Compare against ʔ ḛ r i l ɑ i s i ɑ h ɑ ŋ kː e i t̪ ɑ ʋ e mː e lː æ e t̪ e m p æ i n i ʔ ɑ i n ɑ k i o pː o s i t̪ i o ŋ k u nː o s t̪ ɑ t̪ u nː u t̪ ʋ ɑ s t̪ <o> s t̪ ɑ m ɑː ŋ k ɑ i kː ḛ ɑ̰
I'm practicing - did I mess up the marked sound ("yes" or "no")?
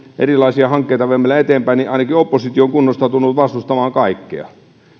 yes